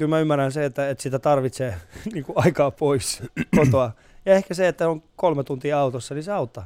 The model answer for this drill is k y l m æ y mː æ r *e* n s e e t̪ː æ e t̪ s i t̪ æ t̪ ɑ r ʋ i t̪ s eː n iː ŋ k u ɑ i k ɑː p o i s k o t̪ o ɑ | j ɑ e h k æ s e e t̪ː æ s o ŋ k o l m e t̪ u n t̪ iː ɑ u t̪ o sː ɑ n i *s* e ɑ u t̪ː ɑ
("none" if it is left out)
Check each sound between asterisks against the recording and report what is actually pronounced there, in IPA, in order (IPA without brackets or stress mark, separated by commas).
æ, s